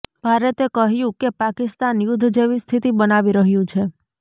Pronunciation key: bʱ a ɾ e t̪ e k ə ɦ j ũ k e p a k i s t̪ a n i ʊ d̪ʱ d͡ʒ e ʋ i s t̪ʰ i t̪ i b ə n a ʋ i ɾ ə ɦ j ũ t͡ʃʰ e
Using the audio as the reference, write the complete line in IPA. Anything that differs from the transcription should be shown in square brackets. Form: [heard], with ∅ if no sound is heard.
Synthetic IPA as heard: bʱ a ɾ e t̪ e k ə ɦ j ũ k e p a k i s t̪ a n [j] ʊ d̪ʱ d͡ʒ e ʋ i s t̪ʰ i t̪ i b ə n a ʋ i ɾ ə ɦ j ũ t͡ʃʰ e